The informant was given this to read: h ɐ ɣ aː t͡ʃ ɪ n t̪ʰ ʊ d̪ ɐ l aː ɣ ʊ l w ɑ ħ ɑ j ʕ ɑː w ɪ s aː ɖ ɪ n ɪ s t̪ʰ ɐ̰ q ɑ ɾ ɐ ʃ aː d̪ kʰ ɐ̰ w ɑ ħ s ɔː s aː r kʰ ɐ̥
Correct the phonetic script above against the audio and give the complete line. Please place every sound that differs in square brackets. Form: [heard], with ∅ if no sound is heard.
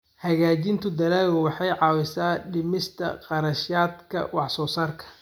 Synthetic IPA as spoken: h ɐ ɣ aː t͡ʃ ɪ n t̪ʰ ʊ d̪ ɐ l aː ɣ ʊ [∅] w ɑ ħ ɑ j ʕ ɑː w ɪ s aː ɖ ɪ [m] ɪ s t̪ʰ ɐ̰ q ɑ ɾ ɐ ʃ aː d̪ kʰ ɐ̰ w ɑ ħ s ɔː s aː r kʰ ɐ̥